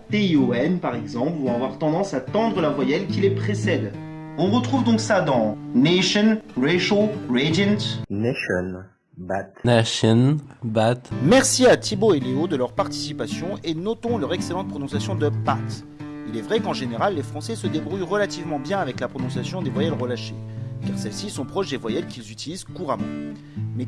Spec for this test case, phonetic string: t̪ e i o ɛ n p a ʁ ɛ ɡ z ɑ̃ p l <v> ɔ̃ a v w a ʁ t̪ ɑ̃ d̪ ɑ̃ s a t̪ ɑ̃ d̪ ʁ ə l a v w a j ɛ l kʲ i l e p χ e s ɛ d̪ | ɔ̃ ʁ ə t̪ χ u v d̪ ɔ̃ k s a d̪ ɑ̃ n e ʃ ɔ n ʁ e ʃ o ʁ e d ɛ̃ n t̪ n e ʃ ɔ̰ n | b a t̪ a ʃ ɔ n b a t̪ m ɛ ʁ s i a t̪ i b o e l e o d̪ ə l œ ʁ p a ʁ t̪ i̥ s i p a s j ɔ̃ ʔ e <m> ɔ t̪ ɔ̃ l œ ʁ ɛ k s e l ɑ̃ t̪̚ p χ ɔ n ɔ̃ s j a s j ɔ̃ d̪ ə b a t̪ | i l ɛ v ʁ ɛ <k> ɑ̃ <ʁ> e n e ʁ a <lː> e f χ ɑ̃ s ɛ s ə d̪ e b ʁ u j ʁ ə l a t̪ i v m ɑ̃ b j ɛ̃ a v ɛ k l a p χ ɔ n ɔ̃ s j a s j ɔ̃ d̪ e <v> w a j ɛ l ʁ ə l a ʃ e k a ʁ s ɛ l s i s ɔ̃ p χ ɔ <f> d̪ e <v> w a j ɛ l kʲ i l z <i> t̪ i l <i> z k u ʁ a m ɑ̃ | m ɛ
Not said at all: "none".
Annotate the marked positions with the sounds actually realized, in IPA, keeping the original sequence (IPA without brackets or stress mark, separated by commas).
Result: v, n, k, ʒ, lː, v, ʃ, v, y, i